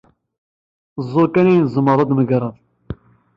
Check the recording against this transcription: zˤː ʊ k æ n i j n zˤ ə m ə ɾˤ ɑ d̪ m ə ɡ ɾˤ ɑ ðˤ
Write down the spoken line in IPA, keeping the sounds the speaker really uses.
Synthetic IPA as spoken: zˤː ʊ k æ n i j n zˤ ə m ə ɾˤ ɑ d̪ m ə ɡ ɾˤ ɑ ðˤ